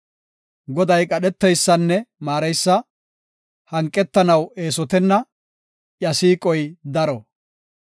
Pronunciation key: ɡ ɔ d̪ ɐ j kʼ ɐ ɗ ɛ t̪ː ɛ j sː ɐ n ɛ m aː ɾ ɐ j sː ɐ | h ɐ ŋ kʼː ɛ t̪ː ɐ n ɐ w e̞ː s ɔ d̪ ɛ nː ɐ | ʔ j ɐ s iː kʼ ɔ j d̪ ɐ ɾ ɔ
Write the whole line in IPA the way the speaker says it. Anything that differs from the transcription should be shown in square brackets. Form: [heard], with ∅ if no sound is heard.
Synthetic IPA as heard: ɡ ɔ d̪ ɐ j kʼ ɐ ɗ ɛ t̪ː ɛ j sː ɐ [nː] ɛ m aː ɾ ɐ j sː ɐ | h ɐ ŋ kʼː ɛ t̪ː ɐ n ɐ w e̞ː s ɔ [t̪] ɛ nː ɐ | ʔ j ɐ s iː kʼ ɔ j d̪ ɐ ɾ ɔ